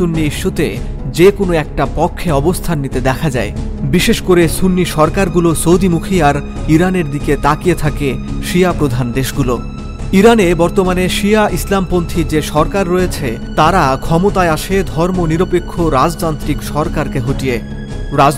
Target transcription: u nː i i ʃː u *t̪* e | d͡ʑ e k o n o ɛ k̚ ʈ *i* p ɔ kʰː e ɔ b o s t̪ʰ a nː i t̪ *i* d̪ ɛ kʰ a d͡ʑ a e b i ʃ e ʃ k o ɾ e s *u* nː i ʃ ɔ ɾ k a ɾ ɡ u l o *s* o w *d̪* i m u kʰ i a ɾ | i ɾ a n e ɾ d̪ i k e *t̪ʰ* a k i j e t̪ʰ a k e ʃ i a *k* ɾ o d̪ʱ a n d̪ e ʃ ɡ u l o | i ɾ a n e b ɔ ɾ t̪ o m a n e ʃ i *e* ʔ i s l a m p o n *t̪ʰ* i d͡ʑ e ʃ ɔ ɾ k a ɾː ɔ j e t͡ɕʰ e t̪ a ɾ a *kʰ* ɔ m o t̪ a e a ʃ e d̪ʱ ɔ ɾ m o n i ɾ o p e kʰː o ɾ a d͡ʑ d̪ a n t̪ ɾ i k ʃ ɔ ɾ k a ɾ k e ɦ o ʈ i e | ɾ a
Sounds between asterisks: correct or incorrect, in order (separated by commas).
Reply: correct, incorrect, incorrect, correct, correct, correct, incorrect, incorrect, incorrect, correct, correct